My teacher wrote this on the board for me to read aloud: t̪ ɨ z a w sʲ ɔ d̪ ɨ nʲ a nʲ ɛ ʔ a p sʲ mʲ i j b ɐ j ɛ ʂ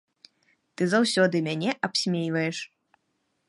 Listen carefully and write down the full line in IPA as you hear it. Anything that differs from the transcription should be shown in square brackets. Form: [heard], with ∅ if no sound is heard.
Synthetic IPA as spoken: t̪ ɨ z a w sʲ ɔ d̪ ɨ [mʲ] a nʲ ɛ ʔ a p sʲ mʲ [e] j [v] ɐ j ɛ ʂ